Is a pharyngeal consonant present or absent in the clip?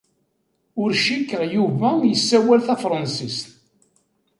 absent